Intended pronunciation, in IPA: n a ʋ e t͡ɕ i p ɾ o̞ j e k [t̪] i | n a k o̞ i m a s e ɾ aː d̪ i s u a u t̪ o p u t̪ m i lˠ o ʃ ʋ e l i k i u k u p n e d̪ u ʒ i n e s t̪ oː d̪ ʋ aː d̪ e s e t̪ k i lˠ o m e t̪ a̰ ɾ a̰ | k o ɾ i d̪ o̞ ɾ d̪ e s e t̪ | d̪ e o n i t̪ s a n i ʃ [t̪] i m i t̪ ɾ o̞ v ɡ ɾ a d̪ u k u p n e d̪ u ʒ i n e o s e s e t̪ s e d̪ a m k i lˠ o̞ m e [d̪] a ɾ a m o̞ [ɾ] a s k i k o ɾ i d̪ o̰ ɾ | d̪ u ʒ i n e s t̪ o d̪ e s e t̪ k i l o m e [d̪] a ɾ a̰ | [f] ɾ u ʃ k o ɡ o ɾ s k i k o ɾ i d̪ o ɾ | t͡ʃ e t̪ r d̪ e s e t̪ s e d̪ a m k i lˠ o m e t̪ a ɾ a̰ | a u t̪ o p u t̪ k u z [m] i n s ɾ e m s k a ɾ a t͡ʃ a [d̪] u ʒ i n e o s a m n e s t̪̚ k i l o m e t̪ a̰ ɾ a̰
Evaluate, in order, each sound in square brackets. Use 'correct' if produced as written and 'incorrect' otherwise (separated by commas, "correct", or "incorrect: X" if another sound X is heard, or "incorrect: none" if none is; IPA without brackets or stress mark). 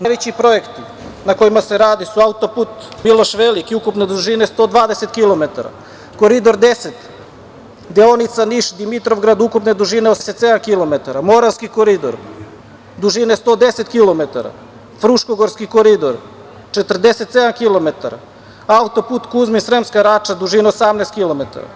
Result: correct, incorrect: d̪, incorrect: t̪, correct, incorrect: t̪, correct, correct, correct